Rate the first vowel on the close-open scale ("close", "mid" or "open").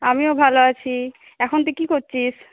open